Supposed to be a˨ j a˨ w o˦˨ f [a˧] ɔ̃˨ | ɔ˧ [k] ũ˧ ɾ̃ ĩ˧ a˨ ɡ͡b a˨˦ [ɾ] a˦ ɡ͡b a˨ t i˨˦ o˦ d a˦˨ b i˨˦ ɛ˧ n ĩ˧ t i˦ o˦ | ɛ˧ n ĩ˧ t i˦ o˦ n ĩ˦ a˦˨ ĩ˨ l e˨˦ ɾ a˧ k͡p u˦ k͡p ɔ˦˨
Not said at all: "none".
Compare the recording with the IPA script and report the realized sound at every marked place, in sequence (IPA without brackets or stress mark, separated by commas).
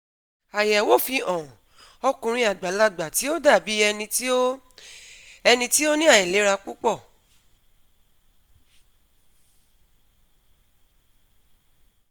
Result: i˧, k, l